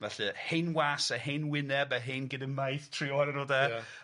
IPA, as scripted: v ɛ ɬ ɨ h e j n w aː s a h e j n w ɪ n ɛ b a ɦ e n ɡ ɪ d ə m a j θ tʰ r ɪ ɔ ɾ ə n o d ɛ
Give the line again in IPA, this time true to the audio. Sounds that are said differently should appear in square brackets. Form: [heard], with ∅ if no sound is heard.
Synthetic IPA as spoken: v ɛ ɬ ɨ h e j n w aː s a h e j n w ɪ n ɛ b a ɦ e n ɡ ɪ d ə m a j θ tʰ r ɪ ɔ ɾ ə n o d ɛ